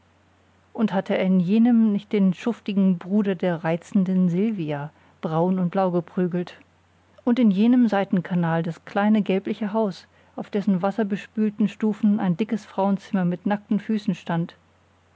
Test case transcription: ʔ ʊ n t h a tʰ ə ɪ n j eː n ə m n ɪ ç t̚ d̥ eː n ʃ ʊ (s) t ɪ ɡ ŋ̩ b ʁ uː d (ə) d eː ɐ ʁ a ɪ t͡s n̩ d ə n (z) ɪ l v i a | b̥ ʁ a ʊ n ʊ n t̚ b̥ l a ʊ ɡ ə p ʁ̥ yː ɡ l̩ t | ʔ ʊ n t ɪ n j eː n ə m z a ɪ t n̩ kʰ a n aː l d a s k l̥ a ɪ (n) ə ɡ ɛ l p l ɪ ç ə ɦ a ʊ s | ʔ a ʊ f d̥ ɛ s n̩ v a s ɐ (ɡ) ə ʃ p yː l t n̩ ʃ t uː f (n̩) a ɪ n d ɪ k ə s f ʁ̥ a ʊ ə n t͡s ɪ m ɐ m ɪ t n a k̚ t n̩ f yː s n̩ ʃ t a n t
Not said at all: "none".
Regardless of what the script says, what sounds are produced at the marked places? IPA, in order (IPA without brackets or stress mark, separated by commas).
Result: f, ɐ, z, n, b, n̩